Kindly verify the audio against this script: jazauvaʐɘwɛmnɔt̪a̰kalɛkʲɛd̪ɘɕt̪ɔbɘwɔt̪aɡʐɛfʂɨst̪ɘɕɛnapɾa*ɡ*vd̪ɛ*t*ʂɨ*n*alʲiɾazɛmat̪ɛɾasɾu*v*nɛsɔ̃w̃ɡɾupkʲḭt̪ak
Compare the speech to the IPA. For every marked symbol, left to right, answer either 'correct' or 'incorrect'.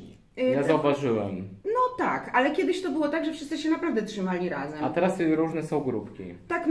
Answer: incorrect: none, correct, incorrect: m, incorrect: ʐ

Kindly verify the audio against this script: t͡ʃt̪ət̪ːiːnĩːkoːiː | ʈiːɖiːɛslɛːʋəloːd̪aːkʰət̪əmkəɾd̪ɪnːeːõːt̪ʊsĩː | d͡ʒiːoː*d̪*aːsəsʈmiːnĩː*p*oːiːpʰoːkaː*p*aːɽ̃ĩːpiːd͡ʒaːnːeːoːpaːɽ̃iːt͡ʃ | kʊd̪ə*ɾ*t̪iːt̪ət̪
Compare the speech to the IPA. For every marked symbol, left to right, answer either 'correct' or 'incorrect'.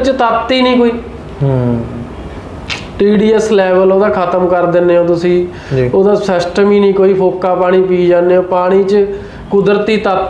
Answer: correct, incorrect: k, correct, correct

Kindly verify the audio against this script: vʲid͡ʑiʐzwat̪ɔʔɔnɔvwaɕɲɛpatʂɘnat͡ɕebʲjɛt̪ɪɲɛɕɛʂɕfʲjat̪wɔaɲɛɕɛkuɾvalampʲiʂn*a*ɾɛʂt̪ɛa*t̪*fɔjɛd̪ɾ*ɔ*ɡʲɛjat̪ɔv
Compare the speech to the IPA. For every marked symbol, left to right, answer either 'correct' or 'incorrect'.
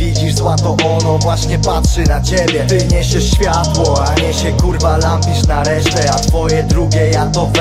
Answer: correct, correct, incorrect: u

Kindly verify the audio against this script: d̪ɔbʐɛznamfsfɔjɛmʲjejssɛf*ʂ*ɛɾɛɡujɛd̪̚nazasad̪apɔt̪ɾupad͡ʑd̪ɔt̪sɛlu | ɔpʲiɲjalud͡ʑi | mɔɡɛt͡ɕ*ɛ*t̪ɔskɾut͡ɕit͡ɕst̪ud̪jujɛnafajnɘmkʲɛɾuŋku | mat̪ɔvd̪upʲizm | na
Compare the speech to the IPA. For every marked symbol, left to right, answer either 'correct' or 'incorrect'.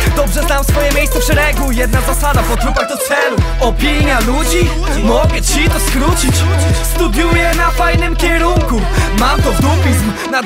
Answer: correct, incorrect: i

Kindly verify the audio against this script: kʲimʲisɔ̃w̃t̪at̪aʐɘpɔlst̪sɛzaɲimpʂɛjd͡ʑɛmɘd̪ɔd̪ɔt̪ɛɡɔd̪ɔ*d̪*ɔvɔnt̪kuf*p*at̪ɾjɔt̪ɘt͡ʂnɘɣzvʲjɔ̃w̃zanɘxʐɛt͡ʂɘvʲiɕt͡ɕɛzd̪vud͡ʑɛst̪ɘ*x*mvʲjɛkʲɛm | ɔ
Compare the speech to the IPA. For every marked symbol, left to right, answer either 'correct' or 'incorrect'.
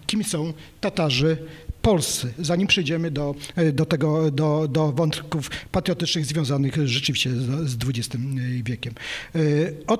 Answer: correct, correct, incorrect: none

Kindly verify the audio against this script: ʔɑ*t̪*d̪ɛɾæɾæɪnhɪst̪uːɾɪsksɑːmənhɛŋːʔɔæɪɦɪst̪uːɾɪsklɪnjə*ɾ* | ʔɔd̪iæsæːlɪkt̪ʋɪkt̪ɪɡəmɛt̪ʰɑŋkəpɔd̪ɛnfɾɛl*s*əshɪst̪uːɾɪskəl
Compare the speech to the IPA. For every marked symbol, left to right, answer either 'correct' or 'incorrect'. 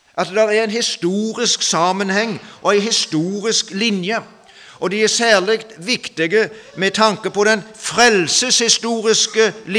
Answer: correct, incorrect: none, correct

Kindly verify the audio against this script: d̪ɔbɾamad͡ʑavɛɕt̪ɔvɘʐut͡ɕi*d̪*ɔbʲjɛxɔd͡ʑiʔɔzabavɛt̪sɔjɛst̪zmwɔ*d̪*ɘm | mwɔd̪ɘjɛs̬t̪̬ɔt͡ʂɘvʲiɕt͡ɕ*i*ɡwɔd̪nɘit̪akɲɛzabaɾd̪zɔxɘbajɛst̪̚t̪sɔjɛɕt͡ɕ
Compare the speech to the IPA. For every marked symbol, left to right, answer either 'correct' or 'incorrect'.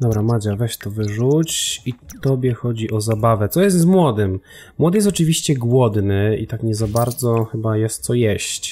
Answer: incorrect: t̪, correct, incorrect: ɛ

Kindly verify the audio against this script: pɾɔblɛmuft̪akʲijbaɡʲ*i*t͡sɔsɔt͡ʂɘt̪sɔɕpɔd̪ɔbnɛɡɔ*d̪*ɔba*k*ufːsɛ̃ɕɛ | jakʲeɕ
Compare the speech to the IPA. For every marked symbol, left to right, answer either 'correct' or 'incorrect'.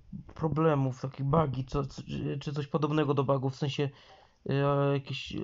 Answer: correct, correct, incorrect: ɡ

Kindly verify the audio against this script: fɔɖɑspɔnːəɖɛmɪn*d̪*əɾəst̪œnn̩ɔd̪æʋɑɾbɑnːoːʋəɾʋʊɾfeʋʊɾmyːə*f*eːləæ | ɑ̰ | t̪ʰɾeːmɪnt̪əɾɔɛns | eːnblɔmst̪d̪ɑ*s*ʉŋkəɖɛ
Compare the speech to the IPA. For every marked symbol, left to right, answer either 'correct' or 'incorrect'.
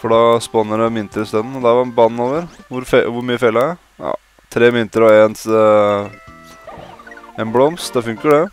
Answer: incorrect: t̪, correct, incorrect: f

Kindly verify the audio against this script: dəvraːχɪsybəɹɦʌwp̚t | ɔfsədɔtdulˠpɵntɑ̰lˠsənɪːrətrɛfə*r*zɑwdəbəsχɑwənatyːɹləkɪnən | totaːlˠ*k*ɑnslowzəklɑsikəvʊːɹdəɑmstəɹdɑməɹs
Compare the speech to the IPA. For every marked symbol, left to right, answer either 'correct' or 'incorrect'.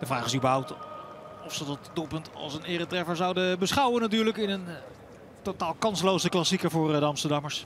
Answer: incorrect: ɹ, correct

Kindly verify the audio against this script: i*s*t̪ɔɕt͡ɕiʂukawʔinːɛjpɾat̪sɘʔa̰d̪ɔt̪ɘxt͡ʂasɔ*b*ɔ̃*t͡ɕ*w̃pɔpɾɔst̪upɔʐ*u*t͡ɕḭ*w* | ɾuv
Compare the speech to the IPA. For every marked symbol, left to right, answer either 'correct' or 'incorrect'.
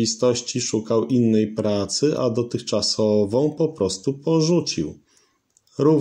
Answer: correct, incorrect: v, incorrect: none, correct, correct

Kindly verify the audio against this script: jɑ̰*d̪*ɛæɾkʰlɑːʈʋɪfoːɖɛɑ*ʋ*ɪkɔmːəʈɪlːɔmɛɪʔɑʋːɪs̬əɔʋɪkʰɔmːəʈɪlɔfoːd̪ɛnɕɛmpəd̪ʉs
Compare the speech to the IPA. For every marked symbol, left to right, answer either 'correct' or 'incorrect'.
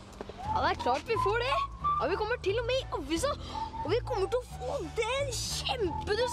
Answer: correct, correct

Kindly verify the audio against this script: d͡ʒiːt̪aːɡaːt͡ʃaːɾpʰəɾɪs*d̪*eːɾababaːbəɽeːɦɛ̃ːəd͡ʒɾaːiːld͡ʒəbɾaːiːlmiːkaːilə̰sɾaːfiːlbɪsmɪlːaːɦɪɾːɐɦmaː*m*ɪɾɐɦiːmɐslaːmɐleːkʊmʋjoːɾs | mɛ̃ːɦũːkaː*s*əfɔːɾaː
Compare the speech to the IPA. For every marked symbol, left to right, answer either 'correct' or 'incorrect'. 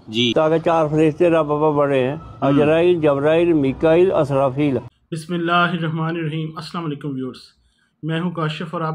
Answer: incorrect: t̪, incorrect: n, incorrect: ʃ

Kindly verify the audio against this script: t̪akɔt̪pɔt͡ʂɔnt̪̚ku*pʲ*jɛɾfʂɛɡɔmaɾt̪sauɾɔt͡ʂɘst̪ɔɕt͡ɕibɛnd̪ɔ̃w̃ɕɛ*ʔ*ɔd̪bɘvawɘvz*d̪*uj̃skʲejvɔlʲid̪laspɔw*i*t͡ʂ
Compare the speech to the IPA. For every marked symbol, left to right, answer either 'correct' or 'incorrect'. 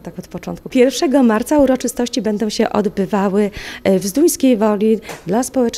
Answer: correct, correct, correct, incorrect: ɛ

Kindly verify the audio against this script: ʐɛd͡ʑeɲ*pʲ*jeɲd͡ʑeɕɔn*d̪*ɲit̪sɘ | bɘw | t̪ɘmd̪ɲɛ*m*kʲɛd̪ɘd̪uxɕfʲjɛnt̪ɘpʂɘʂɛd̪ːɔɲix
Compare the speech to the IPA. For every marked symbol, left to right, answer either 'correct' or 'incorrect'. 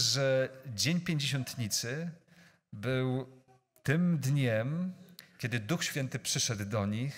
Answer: correct, incorrect: t̪, correct

